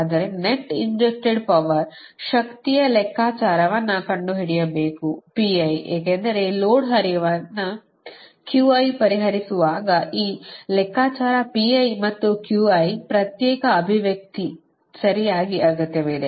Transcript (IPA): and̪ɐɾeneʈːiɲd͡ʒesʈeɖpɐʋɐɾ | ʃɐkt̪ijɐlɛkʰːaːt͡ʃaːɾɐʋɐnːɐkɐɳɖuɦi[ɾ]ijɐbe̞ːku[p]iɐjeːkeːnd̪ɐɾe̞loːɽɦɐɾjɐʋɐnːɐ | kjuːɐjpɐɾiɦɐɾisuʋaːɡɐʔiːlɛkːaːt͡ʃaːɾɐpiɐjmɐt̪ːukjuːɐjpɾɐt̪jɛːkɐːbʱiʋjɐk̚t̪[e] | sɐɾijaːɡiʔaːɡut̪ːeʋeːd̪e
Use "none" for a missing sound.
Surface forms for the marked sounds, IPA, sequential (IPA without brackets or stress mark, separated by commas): ɽ, p, i